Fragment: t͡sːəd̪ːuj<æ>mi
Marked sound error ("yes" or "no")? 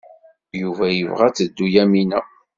no